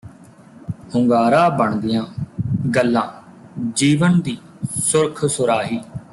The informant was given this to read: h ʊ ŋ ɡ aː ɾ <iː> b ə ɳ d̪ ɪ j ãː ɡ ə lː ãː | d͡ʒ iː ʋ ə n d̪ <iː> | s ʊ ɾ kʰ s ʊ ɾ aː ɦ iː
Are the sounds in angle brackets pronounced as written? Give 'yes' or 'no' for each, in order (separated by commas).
no, yes